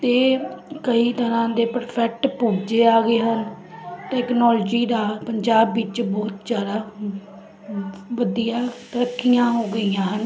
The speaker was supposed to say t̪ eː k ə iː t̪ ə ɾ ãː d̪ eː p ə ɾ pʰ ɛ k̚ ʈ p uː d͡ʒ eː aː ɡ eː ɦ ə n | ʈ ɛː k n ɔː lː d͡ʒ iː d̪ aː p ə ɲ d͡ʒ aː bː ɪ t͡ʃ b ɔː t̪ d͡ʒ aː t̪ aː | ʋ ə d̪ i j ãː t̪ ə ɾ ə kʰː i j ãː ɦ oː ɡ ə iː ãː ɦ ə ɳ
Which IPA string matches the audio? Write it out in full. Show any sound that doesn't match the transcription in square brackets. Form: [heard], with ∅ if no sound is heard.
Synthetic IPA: t̪ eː k ə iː t̪ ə ɾ ãː d̪ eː p ə ɾ pʰ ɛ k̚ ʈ p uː d͡ʒ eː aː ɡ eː ɦ ə n | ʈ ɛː k n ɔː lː d͡ʒ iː d̪ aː p ə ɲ d͡ʒ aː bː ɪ t͡ʃ b ɔː t̪ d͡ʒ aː [d̪] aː | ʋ ə d̪ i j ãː t̪ ə ɾ ə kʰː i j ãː ɦ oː ɡ ə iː ãː ɦ ə [n]